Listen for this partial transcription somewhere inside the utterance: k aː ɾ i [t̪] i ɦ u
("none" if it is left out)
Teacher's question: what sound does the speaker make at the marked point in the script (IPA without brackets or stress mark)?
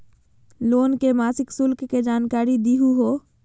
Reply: d̪